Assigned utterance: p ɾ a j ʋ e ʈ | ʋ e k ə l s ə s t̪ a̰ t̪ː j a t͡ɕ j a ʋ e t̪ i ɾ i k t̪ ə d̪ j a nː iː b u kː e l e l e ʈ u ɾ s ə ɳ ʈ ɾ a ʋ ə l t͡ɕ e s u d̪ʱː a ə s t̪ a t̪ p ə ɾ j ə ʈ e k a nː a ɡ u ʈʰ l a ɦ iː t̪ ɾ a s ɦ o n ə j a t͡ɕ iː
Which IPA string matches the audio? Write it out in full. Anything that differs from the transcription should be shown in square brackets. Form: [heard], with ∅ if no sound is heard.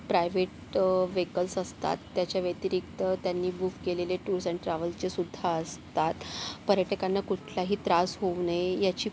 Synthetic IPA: p ɾ a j ʋ e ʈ | ʋ e k ə l s ə s t̪ a̰ t̪ː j a t͡ɕ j a ʋ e t̪ i ɾ i k t̪ ə [t̪] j a nː iː b u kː e l e l e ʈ u ɾ s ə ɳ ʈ ɾ a ʋ ə l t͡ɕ e s u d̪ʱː a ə s t̪ a t̪ p ə ɾ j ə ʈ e k a nː a [k] u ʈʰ l a ɦ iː t̪ ɾ a s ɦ o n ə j a t͡ɕ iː